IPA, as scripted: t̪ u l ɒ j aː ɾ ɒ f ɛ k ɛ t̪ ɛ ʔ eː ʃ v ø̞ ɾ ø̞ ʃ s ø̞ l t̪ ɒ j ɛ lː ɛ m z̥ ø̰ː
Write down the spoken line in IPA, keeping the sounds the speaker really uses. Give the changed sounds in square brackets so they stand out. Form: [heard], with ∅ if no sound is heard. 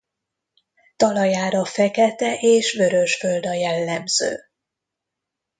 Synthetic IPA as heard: t̪ [ɒ] l ɒ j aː ɾ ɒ f ɛ k ɛ t̪ ɛ ʔ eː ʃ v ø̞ ɾ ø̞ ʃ [f] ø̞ l [d̪] ɒ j ɛ lː ɛ m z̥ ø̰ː